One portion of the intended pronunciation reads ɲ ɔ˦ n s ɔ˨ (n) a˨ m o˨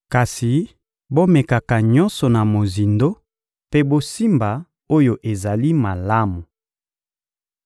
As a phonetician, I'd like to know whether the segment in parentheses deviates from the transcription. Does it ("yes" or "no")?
no